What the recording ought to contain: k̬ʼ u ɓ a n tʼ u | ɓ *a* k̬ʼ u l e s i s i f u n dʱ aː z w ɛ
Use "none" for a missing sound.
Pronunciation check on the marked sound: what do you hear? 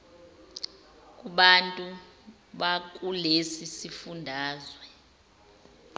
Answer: a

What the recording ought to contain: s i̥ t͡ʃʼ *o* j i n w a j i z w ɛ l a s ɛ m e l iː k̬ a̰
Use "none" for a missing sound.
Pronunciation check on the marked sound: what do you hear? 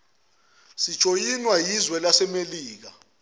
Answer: o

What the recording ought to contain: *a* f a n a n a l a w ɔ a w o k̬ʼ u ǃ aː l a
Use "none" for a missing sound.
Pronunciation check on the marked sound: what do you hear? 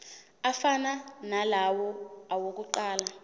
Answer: a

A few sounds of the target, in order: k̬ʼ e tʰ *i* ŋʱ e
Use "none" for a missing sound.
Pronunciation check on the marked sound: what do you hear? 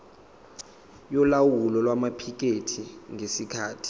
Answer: i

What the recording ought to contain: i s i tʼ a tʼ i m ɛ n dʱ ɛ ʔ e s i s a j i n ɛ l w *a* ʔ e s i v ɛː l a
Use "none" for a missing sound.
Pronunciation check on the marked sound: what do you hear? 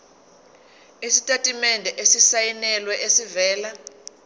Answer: ɛ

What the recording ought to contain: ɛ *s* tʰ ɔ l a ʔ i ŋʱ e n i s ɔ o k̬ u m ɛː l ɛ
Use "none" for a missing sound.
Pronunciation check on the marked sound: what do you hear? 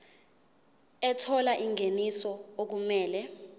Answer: none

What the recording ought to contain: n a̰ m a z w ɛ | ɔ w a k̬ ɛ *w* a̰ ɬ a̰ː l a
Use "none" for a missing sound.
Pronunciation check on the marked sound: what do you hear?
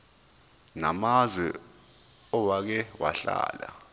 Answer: w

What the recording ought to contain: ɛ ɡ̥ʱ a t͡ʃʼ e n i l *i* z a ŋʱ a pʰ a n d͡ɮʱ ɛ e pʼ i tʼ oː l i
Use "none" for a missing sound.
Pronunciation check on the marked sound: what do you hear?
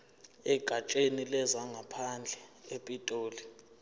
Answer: ɛ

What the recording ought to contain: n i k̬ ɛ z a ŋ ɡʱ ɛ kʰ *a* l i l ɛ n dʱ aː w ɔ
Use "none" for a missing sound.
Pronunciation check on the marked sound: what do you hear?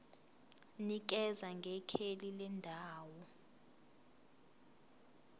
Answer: e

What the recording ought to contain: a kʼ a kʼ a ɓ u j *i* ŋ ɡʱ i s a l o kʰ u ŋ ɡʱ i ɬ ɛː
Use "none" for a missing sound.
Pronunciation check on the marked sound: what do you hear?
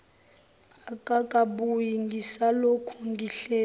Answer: i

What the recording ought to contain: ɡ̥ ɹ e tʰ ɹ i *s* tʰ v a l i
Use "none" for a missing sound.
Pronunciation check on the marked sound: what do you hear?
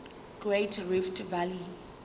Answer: f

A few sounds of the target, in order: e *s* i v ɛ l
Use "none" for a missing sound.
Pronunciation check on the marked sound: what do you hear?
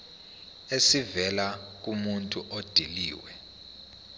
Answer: s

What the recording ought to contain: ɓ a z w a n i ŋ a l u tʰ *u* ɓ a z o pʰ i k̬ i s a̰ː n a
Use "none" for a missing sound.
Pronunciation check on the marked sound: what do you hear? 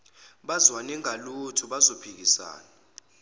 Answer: u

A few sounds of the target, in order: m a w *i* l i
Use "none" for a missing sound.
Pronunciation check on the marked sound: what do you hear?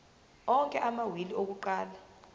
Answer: i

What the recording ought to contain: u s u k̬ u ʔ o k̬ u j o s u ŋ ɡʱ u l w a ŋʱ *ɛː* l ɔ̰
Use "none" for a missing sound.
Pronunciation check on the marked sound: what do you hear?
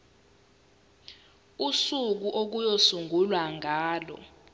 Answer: aː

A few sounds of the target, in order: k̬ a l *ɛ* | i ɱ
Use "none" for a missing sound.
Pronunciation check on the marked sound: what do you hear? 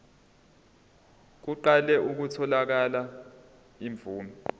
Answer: a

